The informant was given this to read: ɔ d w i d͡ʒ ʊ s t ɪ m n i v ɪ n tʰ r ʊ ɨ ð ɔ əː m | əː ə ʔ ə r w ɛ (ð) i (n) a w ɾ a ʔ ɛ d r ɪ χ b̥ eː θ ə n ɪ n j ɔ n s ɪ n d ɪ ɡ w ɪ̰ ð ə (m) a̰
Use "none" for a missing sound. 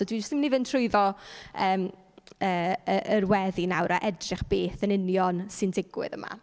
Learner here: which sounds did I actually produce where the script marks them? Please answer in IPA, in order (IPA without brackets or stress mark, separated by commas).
ð, n, m